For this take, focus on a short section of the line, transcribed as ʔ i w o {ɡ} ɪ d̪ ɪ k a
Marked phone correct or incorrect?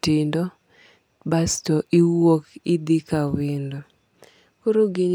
incorrect